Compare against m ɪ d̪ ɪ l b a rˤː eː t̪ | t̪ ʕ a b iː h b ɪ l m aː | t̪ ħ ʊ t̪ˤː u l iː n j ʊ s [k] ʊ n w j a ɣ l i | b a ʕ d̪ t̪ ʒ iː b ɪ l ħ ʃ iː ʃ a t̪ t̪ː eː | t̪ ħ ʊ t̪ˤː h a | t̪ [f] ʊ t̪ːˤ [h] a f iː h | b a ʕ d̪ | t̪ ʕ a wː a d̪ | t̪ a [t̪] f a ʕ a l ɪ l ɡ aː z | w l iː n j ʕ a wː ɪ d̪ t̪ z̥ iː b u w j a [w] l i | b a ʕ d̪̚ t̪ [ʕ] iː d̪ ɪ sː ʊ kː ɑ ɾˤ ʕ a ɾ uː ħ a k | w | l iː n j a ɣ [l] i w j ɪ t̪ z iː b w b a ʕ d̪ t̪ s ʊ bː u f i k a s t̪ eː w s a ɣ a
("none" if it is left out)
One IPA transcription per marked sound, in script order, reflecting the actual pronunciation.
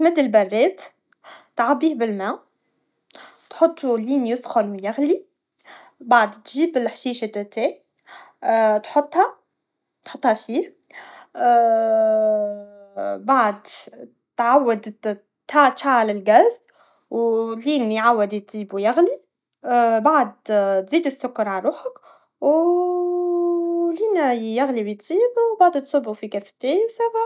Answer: x, ħ, h, t̪, ɣ, z, l

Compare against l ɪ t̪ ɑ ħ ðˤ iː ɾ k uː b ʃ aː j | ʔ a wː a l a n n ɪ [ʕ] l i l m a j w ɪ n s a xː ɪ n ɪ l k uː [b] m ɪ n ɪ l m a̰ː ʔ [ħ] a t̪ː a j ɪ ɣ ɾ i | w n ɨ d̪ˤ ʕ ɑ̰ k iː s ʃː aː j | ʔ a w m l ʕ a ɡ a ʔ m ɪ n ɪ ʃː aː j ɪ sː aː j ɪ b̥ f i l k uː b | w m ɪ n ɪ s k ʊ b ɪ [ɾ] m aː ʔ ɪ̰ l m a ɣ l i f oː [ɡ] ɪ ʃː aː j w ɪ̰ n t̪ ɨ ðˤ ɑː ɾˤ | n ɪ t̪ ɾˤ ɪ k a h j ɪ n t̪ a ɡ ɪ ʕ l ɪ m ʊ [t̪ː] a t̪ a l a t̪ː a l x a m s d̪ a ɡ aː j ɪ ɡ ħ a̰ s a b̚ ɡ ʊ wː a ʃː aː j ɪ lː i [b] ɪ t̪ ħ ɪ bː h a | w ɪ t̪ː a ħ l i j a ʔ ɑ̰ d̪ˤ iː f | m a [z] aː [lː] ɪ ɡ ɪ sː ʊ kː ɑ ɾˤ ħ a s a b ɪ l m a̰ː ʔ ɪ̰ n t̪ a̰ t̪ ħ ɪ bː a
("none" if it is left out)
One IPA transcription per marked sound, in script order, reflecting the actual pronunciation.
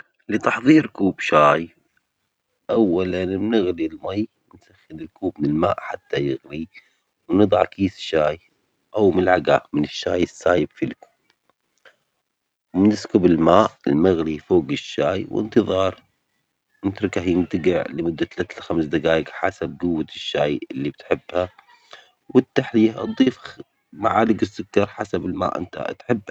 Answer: ɣ, b, ħ, l, ɡ, d̪ː, b, ʕ, l

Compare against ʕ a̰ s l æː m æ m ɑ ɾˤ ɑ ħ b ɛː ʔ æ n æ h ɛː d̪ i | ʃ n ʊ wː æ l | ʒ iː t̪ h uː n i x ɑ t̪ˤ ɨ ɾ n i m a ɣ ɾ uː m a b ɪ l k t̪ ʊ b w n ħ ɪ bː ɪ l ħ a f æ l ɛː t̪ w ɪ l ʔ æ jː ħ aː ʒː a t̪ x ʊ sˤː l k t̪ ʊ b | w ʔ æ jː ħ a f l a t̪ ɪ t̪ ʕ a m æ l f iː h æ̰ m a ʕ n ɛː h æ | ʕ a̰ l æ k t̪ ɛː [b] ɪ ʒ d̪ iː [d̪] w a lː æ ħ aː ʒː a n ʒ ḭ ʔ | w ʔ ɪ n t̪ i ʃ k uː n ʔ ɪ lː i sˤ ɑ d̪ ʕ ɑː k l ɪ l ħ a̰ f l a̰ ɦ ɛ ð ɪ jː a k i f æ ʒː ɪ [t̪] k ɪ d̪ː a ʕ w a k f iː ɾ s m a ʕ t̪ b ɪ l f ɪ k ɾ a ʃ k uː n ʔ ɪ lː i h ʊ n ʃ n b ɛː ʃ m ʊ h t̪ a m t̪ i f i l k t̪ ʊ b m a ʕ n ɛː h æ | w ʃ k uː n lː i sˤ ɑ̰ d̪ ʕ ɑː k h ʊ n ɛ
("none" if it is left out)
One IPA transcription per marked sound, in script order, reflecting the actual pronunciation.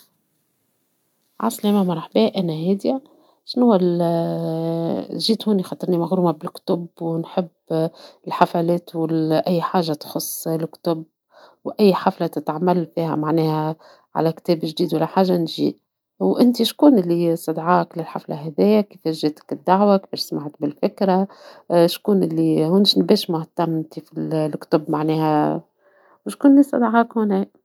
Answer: b, d̪, t̪

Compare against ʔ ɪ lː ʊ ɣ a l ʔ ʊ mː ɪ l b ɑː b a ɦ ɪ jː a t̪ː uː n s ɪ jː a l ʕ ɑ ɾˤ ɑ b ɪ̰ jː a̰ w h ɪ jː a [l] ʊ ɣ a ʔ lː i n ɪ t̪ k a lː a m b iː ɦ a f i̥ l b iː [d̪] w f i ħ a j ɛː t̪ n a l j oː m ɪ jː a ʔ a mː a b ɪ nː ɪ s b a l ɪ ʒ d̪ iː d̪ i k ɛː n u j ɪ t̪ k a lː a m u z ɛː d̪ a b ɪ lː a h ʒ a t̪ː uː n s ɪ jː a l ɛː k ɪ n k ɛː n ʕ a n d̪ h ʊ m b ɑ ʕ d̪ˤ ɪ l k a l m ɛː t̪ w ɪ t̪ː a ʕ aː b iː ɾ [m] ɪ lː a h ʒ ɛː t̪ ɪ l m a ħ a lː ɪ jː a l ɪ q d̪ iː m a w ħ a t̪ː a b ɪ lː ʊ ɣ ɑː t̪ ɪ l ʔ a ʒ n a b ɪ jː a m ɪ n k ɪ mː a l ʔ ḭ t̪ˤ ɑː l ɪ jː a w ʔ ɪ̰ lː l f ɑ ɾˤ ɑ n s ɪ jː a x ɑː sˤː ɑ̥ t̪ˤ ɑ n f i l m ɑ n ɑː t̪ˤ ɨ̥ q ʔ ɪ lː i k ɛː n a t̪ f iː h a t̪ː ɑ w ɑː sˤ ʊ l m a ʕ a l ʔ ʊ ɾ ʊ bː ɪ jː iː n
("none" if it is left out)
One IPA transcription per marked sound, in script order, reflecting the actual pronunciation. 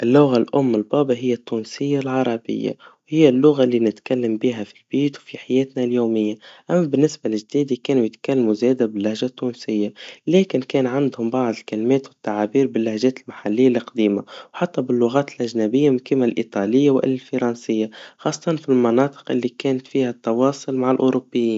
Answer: lː, t̪, b

